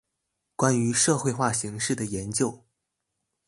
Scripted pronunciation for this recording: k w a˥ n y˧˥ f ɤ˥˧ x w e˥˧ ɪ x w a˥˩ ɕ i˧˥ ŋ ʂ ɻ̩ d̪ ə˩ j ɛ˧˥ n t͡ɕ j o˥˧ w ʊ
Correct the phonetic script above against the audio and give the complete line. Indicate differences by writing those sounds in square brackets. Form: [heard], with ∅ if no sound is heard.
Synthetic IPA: k w a˥ n y˧˥ [ʂ] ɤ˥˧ x w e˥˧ ɪ x w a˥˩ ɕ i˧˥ ŋ ʂ ɻ̩ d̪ ə˩ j ɛ˧˥ n t͡ɕ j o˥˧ [∅] ʊ